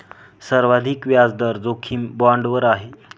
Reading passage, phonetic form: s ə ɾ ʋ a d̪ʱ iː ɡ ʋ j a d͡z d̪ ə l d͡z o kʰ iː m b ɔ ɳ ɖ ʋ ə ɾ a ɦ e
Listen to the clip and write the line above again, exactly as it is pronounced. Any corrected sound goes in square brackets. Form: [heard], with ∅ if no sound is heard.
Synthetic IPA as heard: s ə ɾ ʋ a d̪ʱ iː [k] ʋ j a d͡z d̪ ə [ɾ] d͡z o kʰ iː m b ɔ ɳ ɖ ʋ ə ɾ a ɦ e